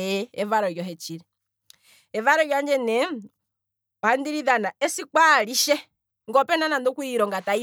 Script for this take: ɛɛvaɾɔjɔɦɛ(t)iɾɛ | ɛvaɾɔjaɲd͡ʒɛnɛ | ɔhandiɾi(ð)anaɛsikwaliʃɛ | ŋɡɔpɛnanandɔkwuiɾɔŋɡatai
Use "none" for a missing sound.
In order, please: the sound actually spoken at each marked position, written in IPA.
t͡ʃ, ð

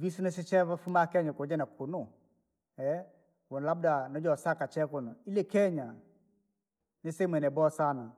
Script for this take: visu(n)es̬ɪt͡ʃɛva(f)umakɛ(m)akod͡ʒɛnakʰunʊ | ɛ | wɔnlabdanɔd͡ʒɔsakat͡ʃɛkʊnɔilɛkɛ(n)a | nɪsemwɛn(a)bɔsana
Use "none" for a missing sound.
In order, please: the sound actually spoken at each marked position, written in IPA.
n, f, ɲ, ɲ, ɛ

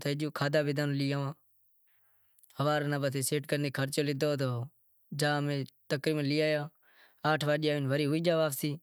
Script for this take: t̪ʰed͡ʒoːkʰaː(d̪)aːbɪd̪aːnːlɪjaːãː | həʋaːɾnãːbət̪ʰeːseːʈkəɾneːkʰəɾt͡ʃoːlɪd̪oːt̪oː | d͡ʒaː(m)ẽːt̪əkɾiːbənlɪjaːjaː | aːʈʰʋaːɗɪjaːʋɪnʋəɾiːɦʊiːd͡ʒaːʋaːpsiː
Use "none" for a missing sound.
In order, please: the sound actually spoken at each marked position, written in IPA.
d̪, m

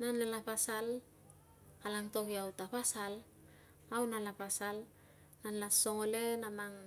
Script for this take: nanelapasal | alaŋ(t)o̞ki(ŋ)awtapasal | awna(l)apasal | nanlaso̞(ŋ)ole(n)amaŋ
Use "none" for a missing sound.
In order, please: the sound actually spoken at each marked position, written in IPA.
t, none, l, ŋ, n

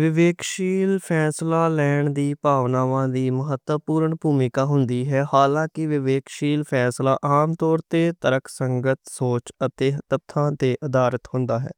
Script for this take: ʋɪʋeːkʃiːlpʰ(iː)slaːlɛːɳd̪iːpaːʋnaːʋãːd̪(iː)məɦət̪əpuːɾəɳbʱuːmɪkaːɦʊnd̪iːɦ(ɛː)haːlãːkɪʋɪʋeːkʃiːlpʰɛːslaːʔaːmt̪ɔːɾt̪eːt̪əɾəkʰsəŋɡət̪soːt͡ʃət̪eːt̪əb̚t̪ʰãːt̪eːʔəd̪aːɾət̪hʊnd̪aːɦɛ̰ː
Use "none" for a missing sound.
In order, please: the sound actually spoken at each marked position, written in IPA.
ɛː, iː, ɛː

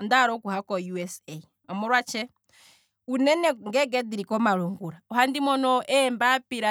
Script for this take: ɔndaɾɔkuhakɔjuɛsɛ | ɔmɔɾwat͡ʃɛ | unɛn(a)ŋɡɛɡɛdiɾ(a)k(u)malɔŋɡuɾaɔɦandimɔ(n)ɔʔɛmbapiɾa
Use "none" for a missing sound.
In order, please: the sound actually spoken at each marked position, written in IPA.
ɛ, i, ɔ, n

